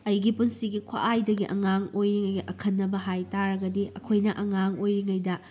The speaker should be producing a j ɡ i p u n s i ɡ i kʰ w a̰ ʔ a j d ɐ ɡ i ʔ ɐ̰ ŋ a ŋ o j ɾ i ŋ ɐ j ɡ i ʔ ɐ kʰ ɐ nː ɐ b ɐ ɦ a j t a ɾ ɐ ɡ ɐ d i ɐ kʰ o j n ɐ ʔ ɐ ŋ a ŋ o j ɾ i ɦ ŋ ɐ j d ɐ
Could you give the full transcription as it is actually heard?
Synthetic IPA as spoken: ɐ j ɡ i p u n s i ɡ i kʰ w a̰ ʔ a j d ɐ ɡ i ʔ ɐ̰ ŋ a ŋ o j ɾ i ŋ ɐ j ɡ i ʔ ɐ kʰ ɐ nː ɐ b ɐ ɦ a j t a ɾ ɐ ɡ ɐ d i ɐ kʰ o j n ɐ ʔ ɐ ŋ a ŋ o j ɾ i ŋ ɐ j d ɐ